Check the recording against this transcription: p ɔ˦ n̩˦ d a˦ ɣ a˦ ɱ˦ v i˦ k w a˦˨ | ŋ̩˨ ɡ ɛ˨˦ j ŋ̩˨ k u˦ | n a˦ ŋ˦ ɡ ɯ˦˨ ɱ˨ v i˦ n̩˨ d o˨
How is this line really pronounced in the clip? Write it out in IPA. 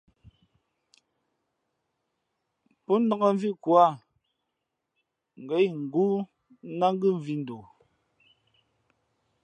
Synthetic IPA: p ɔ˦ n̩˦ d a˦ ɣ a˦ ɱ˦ v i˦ k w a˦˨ | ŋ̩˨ ɡ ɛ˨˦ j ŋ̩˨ ɡ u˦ | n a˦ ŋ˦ ɡ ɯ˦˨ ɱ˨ v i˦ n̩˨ d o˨